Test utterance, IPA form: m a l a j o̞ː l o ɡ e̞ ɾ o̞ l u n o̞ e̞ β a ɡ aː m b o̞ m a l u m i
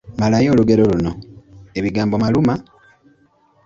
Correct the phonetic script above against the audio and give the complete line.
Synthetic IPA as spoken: m a l a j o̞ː l u ɡ e̞ ɾ o̞ l u n o̞ e̞ β i ɡ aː m b o̞ m a l u m a